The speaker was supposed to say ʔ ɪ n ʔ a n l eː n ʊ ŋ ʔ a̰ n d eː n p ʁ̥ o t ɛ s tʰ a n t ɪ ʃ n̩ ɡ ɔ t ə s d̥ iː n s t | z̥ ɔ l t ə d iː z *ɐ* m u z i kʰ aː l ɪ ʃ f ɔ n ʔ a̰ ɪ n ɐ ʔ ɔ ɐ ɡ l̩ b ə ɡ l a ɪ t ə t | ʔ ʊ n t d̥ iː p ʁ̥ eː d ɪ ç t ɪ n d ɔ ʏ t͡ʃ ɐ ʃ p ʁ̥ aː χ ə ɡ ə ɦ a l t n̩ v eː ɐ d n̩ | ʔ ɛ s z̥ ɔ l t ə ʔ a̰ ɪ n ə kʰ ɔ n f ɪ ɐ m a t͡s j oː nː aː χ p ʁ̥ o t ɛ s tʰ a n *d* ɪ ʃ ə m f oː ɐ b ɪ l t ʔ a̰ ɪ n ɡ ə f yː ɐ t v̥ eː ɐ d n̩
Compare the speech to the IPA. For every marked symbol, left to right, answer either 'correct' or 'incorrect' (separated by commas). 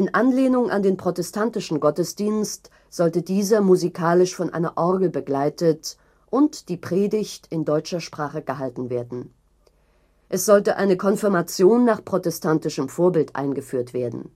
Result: correct, incorrect